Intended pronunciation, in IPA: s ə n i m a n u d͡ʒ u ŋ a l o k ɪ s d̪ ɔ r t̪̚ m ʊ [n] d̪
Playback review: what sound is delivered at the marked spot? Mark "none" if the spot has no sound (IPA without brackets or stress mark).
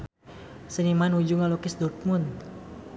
n